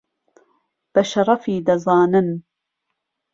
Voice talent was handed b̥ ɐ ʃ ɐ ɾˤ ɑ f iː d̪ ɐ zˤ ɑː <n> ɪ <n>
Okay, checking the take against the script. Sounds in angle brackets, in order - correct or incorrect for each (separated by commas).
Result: correct, correct